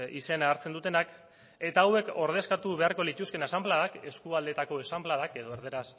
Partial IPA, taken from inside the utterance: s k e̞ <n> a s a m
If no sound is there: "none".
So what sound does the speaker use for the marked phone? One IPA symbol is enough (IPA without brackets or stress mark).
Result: n